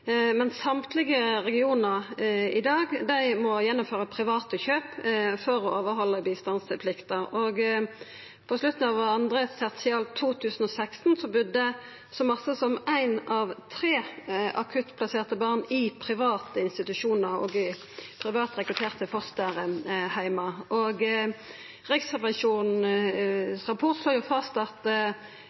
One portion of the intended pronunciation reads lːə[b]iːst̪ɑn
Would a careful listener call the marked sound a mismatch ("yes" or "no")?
no